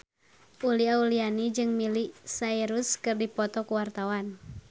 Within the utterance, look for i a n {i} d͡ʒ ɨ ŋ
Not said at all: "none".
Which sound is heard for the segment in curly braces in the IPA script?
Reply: i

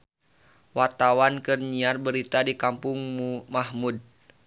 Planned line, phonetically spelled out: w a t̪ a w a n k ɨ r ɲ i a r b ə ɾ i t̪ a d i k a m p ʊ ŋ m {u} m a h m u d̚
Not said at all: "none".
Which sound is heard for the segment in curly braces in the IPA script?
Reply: u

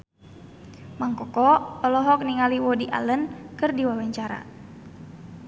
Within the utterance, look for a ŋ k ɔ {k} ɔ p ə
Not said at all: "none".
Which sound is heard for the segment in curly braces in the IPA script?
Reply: k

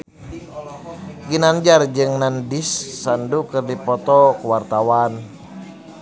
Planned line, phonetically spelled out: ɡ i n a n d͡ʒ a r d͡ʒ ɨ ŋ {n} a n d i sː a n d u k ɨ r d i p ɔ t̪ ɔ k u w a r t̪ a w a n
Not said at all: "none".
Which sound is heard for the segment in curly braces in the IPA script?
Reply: n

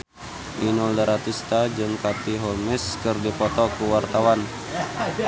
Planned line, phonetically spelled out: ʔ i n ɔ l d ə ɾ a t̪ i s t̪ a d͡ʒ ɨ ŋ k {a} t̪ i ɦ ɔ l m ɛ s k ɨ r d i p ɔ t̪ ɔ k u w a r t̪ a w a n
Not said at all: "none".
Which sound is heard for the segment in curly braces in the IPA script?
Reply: a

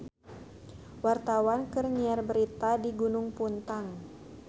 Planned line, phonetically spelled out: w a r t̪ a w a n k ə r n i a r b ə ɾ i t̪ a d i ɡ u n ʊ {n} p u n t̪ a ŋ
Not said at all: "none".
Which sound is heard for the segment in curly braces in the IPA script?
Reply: ŋ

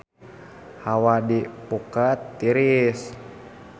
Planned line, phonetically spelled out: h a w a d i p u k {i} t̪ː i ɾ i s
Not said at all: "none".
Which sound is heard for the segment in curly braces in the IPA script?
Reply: a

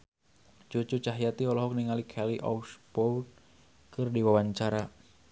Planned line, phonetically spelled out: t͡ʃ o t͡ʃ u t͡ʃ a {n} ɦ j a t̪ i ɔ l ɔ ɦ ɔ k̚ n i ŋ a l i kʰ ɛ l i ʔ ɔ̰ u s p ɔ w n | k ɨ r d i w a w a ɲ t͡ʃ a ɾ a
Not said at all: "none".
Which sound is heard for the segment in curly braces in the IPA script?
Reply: none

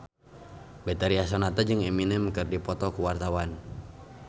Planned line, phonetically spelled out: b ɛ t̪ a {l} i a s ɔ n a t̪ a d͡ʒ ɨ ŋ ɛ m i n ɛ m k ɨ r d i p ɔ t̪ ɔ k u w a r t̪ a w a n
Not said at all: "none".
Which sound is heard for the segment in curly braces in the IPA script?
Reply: ɾ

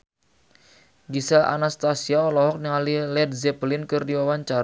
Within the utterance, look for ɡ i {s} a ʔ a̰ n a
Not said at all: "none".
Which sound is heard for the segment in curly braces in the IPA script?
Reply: s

